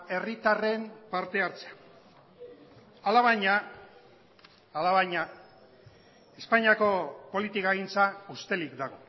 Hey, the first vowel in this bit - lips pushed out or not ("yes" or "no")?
no